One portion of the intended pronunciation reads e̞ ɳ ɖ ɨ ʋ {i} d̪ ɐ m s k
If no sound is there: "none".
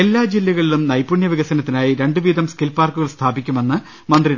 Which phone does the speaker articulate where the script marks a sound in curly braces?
iː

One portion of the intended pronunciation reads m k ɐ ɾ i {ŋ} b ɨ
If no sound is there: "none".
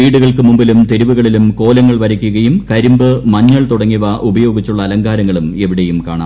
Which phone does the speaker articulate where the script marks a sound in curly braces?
m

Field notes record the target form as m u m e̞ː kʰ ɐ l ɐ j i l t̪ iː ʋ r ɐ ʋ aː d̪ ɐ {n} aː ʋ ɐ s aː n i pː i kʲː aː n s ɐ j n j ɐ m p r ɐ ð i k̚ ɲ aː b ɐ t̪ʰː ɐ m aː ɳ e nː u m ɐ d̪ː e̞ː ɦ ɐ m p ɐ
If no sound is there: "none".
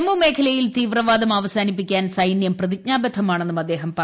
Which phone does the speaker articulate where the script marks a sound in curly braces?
m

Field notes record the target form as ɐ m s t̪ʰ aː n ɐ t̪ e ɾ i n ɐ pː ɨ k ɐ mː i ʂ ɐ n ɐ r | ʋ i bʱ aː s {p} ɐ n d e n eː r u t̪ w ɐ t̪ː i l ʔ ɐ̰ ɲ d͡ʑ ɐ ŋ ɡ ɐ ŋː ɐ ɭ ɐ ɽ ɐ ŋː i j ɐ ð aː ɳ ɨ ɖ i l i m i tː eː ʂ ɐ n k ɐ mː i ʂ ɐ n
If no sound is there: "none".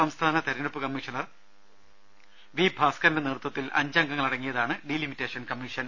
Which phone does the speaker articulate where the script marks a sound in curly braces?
k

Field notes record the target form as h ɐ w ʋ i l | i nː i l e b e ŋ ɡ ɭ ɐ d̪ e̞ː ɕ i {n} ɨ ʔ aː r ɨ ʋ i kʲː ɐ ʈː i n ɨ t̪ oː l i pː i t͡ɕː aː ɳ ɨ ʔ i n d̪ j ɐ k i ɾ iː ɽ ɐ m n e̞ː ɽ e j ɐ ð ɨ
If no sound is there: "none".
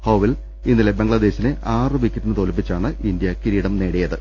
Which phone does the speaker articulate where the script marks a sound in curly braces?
n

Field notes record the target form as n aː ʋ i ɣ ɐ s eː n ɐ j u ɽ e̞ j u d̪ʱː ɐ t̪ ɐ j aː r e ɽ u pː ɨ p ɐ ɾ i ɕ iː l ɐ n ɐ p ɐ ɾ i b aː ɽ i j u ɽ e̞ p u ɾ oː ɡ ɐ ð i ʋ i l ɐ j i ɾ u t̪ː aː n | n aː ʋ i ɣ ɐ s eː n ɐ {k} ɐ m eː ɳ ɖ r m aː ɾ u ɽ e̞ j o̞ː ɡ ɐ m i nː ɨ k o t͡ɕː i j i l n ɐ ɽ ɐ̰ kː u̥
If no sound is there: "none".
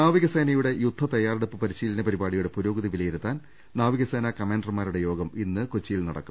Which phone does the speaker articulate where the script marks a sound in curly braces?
k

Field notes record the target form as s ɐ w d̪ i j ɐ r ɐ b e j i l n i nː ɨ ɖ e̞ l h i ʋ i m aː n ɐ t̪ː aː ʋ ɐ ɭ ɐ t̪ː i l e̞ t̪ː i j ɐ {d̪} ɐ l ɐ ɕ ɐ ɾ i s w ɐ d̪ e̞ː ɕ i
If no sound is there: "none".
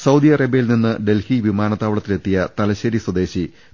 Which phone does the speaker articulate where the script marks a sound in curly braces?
t̪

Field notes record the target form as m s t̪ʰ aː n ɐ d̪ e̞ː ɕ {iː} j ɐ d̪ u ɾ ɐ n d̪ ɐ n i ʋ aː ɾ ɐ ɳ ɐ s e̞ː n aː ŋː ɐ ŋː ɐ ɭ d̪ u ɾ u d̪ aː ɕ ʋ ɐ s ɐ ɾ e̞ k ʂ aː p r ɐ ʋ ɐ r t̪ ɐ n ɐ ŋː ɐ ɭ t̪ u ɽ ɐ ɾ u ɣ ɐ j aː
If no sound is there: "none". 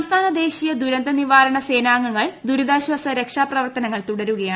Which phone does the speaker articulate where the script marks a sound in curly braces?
i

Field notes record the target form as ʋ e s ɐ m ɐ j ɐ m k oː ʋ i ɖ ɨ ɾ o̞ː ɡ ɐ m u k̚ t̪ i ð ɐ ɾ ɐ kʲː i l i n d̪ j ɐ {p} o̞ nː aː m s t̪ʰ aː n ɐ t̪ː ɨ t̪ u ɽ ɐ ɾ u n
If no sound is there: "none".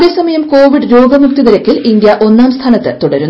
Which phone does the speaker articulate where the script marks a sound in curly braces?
ʔ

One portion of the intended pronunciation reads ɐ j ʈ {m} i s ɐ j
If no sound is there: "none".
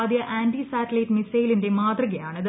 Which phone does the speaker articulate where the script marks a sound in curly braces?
m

